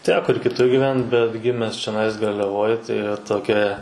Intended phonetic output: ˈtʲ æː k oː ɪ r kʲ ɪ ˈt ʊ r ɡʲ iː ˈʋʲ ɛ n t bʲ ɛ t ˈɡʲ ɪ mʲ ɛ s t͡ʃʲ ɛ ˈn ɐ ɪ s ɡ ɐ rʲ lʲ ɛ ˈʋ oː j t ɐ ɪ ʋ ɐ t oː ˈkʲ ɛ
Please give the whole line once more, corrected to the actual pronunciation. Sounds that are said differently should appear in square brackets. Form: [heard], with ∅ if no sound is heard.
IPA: ˈtʲ æː k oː ɪ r kʲ ɪ ˈt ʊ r ɡʲ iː ˈʋʲ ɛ n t bʲ ɛ t ˈɡʲ ɪ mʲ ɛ s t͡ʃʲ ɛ ˈn ɐ ɪ s ɡ ɐ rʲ lʲ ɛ ˈʋ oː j t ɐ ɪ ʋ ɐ t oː ˈkʲ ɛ